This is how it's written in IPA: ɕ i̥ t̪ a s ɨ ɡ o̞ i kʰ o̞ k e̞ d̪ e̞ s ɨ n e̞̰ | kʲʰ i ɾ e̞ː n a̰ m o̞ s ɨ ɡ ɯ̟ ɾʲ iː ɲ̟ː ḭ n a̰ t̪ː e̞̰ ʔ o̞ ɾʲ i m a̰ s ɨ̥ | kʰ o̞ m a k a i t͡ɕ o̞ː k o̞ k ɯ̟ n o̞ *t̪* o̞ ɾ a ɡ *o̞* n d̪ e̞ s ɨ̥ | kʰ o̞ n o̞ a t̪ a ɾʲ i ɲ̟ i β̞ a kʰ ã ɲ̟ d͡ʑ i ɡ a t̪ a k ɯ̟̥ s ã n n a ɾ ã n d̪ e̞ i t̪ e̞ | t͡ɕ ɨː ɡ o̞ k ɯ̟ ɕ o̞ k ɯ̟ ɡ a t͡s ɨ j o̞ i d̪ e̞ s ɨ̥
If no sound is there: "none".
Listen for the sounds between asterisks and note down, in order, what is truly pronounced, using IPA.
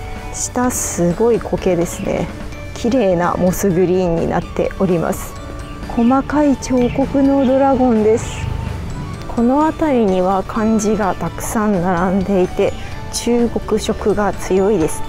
d̪, õ̞

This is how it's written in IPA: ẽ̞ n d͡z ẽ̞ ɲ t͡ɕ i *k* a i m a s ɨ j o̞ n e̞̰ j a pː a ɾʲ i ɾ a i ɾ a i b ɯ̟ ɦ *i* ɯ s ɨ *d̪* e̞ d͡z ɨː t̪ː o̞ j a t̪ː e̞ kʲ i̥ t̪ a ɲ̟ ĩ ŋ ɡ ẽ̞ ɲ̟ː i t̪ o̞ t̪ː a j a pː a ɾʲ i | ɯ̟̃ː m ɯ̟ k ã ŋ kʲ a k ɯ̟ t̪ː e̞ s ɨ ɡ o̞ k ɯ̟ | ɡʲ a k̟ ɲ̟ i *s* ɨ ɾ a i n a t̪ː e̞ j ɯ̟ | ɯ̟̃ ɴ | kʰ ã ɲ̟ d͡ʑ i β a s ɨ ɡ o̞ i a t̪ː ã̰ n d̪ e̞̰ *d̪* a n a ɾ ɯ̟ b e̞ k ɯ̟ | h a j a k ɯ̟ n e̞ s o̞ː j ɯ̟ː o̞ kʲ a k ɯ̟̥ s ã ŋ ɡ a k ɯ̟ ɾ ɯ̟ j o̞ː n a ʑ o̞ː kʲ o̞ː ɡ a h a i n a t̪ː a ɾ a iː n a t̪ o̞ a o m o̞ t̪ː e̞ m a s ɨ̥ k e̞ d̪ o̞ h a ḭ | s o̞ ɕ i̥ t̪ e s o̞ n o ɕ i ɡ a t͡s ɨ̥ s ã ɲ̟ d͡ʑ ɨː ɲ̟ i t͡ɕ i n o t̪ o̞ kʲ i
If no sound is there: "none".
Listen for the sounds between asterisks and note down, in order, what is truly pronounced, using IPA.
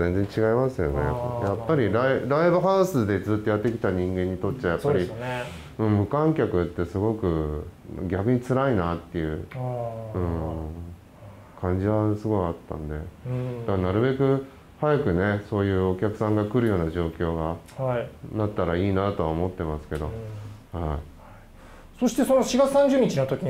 ɡ, a, d̪, t͡s, d̪

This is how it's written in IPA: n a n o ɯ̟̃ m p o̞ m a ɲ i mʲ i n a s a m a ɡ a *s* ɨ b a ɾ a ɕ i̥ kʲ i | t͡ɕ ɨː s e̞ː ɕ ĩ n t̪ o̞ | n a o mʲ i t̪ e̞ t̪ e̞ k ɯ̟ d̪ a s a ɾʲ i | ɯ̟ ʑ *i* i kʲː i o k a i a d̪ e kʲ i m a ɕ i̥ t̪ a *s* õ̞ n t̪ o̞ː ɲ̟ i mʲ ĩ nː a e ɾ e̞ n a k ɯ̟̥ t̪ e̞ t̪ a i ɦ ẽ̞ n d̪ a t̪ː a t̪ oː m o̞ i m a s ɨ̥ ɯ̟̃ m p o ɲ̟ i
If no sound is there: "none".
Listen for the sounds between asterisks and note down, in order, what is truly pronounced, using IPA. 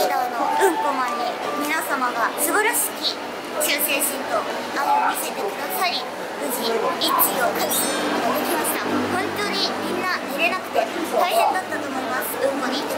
s, i, h

